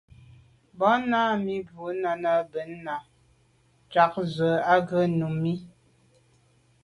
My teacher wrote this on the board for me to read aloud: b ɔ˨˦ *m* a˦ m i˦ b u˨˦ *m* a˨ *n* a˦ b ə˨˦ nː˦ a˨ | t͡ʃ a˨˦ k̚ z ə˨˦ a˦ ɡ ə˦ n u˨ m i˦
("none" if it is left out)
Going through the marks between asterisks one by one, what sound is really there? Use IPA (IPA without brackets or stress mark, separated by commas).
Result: n, n, n